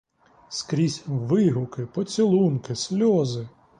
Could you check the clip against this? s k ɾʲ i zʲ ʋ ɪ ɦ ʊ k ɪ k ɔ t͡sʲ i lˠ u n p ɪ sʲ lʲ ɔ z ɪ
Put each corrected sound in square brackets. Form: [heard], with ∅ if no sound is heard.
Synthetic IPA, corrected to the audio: s k ɾʲ i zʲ ʋ ɪ ɦ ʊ k ɪ [p] ɔ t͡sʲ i lˠ u n [k] ɪ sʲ lʲ ɔ z ɪ